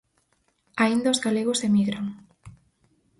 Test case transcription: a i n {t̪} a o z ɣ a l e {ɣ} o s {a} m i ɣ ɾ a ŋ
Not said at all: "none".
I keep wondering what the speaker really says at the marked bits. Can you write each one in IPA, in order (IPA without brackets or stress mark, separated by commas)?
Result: d̪, ɣ, e